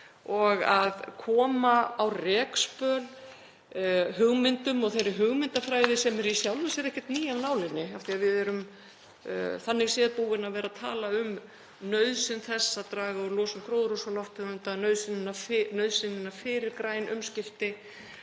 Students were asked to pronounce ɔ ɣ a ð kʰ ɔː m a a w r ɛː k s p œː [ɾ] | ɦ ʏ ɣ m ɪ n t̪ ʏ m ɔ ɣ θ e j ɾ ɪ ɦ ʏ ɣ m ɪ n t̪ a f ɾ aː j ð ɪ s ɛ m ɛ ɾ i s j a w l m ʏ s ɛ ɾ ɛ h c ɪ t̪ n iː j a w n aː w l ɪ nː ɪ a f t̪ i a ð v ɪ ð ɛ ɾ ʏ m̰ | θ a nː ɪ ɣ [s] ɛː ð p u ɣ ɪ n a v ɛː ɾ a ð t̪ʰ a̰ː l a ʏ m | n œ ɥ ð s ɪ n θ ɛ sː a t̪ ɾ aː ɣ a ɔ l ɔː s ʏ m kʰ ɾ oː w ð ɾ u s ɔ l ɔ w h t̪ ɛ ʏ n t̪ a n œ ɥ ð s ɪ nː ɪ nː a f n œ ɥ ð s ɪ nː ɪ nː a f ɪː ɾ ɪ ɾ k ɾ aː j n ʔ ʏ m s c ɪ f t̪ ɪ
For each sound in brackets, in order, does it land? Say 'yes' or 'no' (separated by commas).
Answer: no, yes